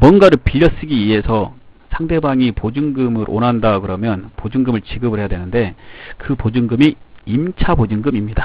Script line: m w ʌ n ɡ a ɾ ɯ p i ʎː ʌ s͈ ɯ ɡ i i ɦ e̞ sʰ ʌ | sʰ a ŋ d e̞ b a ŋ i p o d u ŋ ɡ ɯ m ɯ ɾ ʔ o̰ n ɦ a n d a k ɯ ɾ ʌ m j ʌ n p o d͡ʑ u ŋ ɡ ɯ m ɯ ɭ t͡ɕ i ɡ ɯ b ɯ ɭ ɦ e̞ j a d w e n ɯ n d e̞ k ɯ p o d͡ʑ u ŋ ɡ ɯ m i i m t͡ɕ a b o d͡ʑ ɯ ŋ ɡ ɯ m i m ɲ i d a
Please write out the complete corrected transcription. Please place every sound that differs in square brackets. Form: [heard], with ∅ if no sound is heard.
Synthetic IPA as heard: m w ʌ n ɡ a ɾ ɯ p i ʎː ʌ s͈ ɯ ɡ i i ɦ e̞ sʰ ʌ | sʰ a ŋ d e̞ b a ŋ i p o [d͡ʑ] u ŋ ɡ ɯ m ɯ ɾ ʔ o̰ n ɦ a n d a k ɯ ɾ ʌ m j ʌ n p o d͡ʑ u ŋ ɡ ɯ m ɯ ɭ t͡ɕ i ɡ ɯ b ɯ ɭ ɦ e̞ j a d w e n ɯ n d e̞ k ɯ p o d͡ʑ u ŋ ɡ ɯ m i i m [t͡ɕʰ] a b o d͡ʑ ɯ ŋ ɡ ɯ m i m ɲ i d a